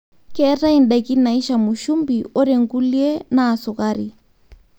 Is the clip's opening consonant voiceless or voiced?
voiceless